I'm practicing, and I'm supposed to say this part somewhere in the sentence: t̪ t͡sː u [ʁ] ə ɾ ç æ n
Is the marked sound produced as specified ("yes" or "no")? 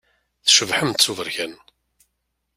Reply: no